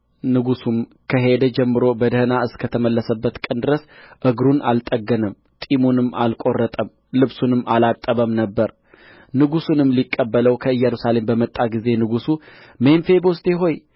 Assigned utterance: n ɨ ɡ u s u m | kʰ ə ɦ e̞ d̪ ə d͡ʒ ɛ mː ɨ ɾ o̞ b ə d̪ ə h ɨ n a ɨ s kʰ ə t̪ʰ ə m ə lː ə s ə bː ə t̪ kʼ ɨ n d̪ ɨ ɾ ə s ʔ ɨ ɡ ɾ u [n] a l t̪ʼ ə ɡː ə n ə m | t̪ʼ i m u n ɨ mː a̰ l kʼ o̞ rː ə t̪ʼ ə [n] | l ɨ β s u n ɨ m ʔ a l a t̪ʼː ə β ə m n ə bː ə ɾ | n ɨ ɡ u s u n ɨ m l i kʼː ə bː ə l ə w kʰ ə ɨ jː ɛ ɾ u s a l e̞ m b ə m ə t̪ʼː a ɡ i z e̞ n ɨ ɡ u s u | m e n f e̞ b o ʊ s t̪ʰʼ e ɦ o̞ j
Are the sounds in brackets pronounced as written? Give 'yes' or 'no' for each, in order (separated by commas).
yes, no